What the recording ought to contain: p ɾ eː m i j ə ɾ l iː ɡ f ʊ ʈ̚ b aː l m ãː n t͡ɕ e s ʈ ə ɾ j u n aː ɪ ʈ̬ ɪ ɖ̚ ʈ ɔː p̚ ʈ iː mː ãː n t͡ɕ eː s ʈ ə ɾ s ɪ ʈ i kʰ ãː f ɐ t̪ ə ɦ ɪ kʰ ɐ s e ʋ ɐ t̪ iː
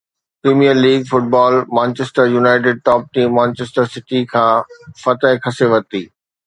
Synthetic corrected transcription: p ɾ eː m i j ə ɾ l iː ɡ f ʊ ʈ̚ b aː l m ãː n t͡ɕ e s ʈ ə ɾ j u n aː ɪ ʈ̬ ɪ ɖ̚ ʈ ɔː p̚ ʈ iː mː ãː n t͡ɕ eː s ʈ ə ɾ s ɪ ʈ i kʰ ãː f ɐ t̪ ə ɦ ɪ kʰ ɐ s e ʋ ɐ t̪ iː